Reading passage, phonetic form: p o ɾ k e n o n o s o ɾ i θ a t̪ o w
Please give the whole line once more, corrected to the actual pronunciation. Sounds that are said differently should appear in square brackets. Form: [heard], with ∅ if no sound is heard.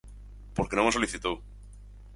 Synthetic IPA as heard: p o ɾ k e n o [m] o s o [l] i θ [i] t̪ o w